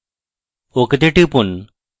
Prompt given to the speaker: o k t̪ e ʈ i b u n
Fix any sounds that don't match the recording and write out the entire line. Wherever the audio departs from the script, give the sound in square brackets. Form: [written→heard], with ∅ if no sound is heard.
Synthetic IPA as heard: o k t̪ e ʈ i [b→p] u n